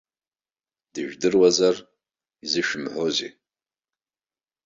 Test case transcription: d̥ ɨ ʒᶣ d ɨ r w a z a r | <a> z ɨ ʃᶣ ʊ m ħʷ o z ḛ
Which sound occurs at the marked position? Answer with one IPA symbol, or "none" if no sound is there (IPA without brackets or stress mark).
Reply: i